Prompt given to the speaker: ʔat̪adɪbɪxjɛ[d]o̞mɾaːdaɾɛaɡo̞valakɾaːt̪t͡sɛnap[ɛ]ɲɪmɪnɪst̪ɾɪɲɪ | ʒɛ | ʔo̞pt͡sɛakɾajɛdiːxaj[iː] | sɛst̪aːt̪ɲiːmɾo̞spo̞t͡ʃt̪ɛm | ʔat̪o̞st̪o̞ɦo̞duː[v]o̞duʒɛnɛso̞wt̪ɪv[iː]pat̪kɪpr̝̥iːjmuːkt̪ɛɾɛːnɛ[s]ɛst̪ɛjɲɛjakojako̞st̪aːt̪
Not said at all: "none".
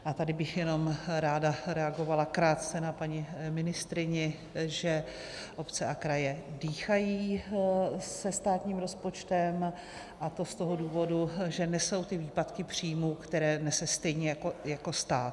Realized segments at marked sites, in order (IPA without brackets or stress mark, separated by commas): n, a, iː, v, iː, s